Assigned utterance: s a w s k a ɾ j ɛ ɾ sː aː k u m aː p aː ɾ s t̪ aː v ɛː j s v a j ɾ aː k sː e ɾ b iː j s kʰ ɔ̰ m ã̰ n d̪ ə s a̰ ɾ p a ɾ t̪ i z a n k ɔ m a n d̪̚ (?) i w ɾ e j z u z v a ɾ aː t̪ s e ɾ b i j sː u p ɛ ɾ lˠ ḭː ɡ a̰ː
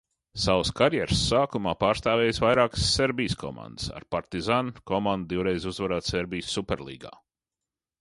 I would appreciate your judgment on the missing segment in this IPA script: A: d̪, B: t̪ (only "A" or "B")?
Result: A